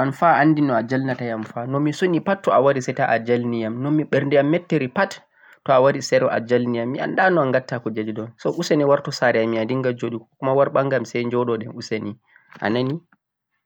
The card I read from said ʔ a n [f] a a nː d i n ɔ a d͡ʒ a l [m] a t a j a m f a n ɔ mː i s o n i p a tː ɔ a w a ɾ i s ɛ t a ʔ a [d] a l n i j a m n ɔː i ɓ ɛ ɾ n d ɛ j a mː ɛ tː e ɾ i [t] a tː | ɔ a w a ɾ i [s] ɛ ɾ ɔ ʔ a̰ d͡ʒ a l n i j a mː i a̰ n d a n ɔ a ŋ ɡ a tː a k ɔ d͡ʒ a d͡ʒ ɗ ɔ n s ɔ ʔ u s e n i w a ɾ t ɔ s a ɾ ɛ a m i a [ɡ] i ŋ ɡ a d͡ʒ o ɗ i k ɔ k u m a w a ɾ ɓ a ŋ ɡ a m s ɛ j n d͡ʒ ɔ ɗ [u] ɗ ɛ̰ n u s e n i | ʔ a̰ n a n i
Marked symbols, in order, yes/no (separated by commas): yes, no, no, no, yes, no, no